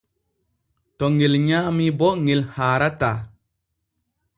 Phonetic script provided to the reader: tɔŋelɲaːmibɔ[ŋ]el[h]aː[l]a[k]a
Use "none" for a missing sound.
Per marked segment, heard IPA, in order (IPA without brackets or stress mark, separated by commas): ŋ, h, ɾ, t